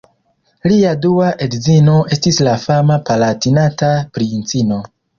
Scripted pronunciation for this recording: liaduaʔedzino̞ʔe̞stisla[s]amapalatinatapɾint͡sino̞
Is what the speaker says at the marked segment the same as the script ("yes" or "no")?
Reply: no